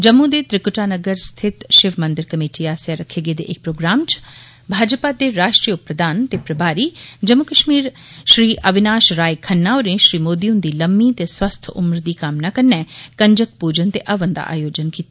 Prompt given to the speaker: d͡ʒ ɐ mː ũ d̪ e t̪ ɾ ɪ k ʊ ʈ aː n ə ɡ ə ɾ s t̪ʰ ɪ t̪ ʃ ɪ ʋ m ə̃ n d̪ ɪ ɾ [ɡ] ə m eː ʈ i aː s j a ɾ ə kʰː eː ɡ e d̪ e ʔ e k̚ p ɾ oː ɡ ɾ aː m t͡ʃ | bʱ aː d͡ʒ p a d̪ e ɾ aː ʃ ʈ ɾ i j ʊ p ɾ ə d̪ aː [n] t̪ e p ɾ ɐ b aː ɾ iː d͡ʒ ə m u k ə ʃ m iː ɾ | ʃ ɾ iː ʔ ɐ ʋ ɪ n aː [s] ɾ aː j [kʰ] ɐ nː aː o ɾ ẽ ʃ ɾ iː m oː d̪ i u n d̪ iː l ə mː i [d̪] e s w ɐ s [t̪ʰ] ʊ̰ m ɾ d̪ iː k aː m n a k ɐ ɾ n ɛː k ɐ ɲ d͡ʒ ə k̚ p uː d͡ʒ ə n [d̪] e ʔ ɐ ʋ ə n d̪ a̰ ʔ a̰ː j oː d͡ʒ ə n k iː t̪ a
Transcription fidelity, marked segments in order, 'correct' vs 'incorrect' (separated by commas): incorrect, correct, incorrect, correct, incorrect, correct, incorrect